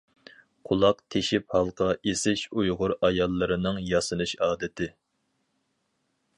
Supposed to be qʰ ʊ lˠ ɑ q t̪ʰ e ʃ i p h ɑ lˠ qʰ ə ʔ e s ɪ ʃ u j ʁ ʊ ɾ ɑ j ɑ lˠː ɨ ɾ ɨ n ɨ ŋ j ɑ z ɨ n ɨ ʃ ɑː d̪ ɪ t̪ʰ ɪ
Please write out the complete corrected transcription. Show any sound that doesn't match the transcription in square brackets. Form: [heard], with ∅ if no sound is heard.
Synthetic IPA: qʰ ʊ lˠ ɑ q t̪ʰ e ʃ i p h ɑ lˠ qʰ [ɑ] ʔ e s ɪ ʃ u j ʁ ʊ ɾ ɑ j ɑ lˠː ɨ ɾ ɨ n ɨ ŋ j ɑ [s] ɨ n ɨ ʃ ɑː d̪ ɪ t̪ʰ ɪ